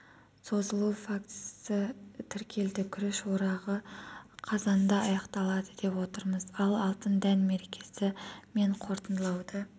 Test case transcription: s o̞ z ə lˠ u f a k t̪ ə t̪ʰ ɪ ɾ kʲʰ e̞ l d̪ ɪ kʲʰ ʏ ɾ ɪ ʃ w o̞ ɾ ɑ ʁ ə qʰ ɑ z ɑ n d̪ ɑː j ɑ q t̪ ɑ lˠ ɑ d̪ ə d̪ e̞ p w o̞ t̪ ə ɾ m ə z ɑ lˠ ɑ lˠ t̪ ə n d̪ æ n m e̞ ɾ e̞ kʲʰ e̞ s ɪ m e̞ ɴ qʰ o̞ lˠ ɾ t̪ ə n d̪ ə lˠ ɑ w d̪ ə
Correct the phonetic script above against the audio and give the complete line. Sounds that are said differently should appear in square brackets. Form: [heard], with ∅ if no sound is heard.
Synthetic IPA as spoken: s o̞ z ə lˠ u f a k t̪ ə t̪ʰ ɪ ɾ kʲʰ e̞ l d̪ ɪ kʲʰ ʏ ɾ ɪ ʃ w o̞ ɾ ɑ ʁ ə qʰ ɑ z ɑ n d̪ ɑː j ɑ q t̪ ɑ lˠ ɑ d̪ ə d̪ e̞ p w o̞ t̪ ə ɾ m ə z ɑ lˠ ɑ lˠ t̪ ə n d̪ æ n m e̞ ɾ e̞ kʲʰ e̞ s ɪ m e̞ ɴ qʰ o̞ [∅] ɾ t̪ ə n d̪ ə lˠ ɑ w d̪ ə